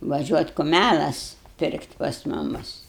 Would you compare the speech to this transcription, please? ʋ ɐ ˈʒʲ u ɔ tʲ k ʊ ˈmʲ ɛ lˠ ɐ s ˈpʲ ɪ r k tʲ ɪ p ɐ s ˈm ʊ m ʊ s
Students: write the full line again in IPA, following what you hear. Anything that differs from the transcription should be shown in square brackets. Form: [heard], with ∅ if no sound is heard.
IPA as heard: ʋ ɐ ˈʒʲ u ɔ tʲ k ʊ ˈmʲ [æ] lˠ ɐ s ˈpʲ ɪ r k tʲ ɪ p ɐ s ˈm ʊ m ʊ s